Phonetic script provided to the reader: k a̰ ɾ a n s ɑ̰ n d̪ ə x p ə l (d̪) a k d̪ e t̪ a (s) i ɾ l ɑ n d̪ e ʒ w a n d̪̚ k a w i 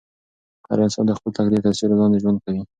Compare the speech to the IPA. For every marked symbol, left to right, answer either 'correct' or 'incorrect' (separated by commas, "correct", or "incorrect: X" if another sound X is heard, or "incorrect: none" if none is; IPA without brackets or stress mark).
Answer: incorrect: t̪, correct